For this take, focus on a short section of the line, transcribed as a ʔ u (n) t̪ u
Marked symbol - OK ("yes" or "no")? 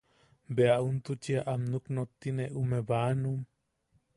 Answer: yes